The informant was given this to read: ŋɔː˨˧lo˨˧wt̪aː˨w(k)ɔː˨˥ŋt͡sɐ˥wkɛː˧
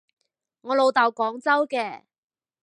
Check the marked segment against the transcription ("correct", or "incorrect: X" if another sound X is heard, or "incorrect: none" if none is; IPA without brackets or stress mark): correct